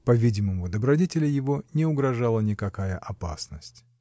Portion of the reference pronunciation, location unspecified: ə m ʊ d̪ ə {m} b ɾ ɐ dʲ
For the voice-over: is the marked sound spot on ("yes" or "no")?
no